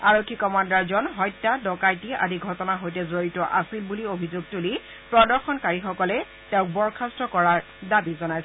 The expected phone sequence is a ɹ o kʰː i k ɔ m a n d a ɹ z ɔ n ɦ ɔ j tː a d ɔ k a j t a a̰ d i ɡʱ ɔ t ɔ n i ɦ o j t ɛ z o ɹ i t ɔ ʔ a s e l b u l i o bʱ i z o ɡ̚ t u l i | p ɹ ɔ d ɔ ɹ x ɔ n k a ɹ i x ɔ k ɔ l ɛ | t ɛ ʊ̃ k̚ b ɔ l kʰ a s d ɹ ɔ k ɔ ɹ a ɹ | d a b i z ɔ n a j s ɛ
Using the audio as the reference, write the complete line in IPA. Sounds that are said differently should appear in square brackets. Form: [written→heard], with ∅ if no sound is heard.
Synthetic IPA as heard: a ɹ o kʰː i k ɔ m a n d a ɹ z ɔ n ɦ ɔ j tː a d ɔ k a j t [a→i] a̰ d i ɡʱ ɔ t ɔ n [i→a] ɦ o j t ɛ z o ɹ i t ɔ ʔ a s [e→i] l b u l i o bʱ i z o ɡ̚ t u l i | p ɹ ɔ d ɔ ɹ x ɔ n k a ɹ i x ɔ k ɔ l ɛ | t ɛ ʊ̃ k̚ b ɔ [l→ɹ] kʰ a s [d→t] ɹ ɔ k ɔ ɹ a ɹ | d a b i z ɔ n a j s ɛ